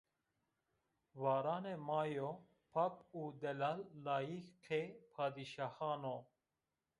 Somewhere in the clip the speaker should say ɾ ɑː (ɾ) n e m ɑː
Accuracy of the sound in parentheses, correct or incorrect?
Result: incorrect